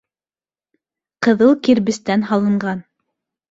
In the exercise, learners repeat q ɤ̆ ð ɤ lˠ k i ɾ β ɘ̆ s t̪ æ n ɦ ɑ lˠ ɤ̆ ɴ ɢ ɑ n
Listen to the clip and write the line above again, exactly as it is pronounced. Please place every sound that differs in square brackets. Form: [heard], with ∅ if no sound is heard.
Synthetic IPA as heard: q ɤ̆ ð ɤ lˠ k i ɾ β ɘ̆ s t̪ æ n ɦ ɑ lˠ ɤ̆ ɴ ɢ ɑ n